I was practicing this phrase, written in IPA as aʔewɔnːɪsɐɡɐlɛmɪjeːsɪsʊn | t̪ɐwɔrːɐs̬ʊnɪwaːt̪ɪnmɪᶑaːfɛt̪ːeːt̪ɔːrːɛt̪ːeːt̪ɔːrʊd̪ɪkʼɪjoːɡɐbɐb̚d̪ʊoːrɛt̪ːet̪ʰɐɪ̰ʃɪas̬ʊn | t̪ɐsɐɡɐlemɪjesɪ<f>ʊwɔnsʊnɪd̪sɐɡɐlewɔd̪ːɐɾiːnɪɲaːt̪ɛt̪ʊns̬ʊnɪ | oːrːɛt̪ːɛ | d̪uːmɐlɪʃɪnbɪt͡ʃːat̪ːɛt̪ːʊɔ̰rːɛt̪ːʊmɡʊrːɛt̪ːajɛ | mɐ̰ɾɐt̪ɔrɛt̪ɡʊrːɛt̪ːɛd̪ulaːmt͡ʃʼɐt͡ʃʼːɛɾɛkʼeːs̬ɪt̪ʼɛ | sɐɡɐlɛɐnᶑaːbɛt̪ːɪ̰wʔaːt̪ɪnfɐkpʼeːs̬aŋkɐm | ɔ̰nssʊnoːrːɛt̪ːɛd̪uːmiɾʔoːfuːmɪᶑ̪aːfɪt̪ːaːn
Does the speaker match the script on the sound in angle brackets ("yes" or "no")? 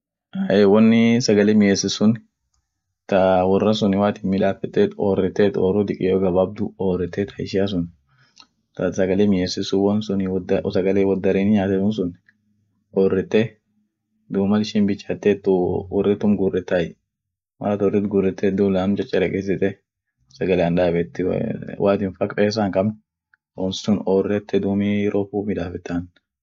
no